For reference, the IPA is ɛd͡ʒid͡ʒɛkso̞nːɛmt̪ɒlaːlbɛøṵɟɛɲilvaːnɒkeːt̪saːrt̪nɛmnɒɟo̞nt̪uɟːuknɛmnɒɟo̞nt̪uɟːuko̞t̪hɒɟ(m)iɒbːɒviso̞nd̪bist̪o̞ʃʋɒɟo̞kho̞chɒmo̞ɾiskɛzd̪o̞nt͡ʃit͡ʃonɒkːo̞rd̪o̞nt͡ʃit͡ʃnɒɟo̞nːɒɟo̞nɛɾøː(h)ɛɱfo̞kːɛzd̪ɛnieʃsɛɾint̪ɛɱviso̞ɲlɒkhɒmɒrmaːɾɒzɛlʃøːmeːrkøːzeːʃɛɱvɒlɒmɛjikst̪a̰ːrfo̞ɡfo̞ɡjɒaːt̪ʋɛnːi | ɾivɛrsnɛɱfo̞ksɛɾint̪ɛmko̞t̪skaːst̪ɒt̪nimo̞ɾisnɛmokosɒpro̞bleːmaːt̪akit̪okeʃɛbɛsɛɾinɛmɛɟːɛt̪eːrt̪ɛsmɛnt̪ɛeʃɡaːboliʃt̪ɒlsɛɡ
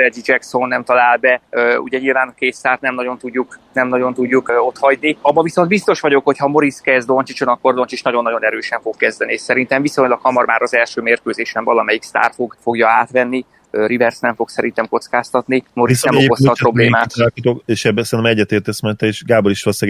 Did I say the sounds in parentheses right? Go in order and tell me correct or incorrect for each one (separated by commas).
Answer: incorrect, incorrect